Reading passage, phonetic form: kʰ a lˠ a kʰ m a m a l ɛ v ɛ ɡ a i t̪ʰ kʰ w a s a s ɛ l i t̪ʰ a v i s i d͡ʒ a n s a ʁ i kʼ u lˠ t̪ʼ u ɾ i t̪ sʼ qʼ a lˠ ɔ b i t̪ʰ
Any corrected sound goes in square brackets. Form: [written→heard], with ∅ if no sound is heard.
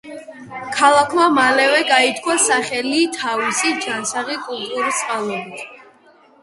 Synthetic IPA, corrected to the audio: kʰ a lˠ a kʰ m a m a l ɛ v ɛ ɡ a i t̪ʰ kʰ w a s a [s→χ] ɛ l i t̪ʰ a v i s i d͡ʒ a n s a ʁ i kʼ u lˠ t̪ʼ u ɾ i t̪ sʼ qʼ a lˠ ɔ b i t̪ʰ

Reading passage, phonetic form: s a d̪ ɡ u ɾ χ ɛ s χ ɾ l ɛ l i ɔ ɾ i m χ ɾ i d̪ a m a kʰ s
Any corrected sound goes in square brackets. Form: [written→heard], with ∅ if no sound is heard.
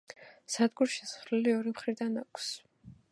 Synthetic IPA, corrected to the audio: s a d̪ ɡ u ɾ [χ→ʃ] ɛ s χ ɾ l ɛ l i ɔ ɾ i m χ ɾ i d̪ a [m→n] a kʰ s

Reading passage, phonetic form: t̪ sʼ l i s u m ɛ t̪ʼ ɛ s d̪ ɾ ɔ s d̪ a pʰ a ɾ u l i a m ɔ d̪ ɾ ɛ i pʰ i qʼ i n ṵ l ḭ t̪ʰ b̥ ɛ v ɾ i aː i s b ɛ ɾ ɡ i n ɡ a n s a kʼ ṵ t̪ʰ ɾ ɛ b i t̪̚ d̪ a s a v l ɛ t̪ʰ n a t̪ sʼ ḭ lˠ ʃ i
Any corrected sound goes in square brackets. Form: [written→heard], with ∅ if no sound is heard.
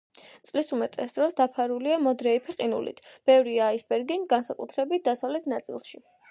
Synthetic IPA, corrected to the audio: t̪ sʼ l i s u m ɛ t̪ʼ ɛ s d̪ ɾ ɔ s d̪ a pʰ a ɾ u l i a m ɔ d̪ ɾ ɛ i pʰ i qʼ i n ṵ l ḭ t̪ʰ b̥ ɛ v ɾ i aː i s b ɛ ɾ ɡ i n ɡ a n s a kʼ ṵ t̪ʰ ɾ ɛ b i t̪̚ d̪ a s a v l ɛ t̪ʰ n a t̪ sʼ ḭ lˠ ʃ i

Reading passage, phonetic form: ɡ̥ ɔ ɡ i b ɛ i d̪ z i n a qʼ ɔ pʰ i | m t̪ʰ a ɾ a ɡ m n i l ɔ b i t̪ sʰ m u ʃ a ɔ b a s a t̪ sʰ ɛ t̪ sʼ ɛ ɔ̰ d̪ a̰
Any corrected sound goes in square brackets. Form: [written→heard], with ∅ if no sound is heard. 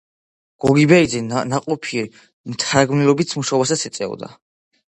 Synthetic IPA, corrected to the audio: ɡ̥ ɔ ɡ i b ɛ i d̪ z [i→ɛ] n a qʼ ɔ pʰ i | m t̪ʰ a ɾ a ɡ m n i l ɔ b i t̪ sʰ m u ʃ a ɔ b a s a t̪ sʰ ɛ t̪ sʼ ɛ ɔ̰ d̪ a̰

